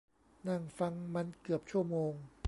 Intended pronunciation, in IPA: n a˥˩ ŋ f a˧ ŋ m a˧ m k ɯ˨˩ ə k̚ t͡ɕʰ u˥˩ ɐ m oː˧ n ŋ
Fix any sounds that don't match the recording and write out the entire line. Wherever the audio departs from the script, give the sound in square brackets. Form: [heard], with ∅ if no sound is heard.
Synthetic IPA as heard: n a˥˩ ŋ f a˧ ŋ m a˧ [n] k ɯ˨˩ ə [p̚] t͡ɕʰ u˥˩ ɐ m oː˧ [∅] ŋ